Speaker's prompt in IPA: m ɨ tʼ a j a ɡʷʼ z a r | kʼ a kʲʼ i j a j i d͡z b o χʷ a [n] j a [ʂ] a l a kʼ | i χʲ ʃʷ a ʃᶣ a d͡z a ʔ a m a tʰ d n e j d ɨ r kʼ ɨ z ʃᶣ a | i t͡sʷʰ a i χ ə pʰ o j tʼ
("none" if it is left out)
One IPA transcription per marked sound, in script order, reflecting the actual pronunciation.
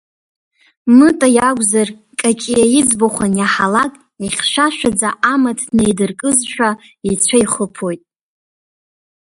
n, ħ

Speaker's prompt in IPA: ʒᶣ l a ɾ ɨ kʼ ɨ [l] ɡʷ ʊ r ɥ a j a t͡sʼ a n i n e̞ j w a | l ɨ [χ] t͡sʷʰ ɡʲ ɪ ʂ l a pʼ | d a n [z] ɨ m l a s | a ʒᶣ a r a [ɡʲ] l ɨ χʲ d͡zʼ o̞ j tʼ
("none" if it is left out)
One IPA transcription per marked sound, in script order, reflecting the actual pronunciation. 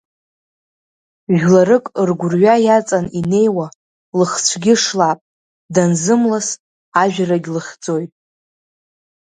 r, χ, z, ɡʲ

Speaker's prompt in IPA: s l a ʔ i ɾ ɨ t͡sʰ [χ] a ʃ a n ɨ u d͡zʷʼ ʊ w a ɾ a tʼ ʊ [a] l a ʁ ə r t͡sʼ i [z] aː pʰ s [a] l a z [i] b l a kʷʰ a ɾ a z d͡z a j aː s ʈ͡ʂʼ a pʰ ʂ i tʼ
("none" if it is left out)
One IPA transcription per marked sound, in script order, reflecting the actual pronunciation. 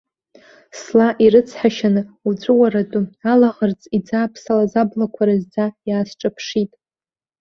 ħ, a, d͡z, a, a

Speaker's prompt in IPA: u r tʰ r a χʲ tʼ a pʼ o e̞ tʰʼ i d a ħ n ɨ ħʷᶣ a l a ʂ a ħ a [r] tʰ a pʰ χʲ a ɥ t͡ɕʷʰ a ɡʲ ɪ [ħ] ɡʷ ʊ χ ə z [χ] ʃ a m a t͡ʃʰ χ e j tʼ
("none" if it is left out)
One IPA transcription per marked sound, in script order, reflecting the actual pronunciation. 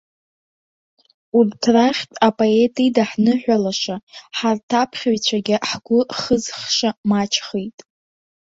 r, ħ, χ

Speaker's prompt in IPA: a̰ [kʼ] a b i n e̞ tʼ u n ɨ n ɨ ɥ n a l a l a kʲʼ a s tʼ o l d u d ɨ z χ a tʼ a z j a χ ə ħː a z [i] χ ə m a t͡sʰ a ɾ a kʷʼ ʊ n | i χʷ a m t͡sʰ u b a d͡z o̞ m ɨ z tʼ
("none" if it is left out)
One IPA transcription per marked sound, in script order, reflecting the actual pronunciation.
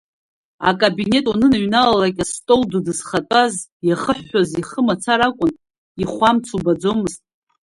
kʼ, i

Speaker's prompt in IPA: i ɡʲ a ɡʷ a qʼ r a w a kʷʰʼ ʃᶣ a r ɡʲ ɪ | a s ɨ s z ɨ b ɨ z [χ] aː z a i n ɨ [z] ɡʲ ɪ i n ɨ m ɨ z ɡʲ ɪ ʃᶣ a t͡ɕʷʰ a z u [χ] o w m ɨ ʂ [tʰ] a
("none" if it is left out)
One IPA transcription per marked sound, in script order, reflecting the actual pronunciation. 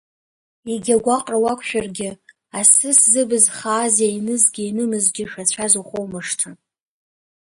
χ, z, χ, tʰ

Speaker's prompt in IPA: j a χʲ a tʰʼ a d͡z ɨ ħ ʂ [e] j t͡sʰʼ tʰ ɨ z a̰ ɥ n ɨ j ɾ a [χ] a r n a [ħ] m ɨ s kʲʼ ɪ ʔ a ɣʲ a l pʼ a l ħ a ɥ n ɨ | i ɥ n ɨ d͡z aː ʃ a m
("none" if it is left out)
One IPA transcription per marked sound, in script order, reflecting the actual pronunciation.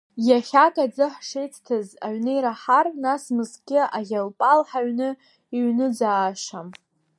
e, ħ, s

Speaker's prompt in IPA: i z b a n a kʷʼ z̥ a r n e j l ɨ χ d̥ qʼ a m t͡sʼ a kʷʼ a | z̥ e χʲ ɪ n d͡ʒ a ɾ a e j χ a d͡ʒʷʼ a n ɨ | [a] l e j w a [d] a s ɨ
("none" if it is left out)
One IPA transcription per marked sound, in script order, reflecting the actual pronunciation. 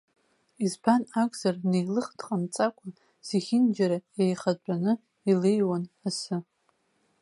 i, n

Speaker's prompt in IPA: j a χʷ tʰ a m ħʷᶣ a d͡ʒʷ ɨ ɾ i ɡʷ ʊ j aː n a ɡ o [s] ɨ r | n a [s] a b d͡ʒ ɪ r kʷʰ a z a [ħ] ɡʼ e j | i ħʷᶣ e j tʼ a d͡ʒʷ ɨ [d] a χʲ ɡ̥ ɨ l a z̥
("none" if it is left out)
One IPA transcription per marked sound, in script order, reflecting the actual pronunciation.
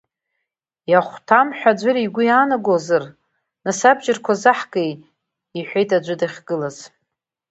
z, s, ħ, d

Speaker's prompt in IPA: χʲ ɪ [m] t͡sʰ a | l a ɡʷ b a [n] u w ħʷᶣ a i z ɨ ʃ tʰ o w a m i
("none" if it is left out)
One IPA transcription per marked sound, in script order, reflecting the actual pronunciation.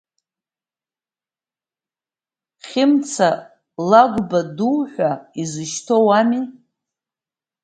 m, d

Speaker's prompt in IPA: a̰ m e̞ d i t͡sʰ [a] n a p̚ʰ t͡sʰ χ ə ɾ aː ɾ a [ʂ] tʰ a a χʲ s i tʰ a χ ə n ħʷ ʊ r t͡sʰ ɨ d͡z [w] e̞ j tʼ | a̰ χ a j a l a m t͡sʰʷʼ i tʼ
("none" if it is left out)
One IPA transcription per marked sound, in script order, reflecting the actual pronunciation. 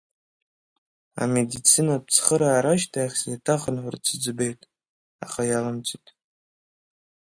i, ʃ, b

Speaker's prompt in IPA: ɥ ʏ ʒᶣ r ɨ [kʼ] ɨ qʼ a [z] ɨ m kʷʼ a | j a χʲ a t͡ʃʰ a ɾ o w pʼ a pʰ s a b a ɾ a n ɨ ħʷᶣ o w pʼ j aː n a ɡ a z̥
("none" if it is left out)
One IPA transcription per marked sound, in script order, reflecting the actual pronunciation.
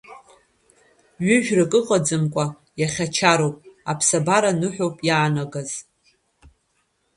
kʼ, d͡z

